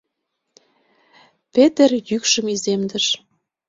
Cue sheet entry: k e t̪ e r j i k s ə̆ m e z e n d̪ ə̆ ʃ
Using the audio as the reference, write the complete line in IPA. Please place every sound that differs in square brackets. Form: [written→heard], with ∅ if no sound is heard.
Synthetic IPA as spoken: [k→p] e t̪ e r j [i→y] k [s→ʃ] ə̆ m [e→i] z e [n→m] d̪ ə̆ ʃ